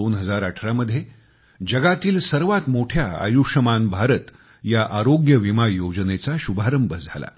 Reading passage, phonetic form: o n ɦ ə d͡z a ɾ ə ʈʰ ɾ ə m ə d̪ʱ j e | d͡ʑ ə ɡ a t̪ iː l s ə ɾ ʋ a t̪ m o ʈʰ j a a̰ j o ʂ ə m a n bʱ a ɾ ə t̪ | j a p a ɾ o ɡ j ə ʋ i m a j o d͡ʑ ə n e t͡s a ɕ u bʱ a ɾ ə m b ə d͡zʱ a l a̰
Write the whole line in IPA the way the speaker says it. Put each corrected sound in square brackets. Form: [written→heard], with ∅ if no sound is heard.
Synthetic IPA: o n ɦ ə d͡z a ɾ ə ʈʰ ɾ [ə→a] m ə d̪ʱ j e | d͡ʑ ə ɡ a t̪ iː l s ə ɾ ʋ a t̪ m o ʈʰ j a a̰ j [o→u] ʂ ə m a n bʱ a ɾ ə t̪ | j a [p→ʔ] a ɾ o ɡ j ə ʋ i m a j o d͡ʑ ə n e t͡s a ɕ u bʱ a ɾ ə m b ə d͡zʱ a l a̰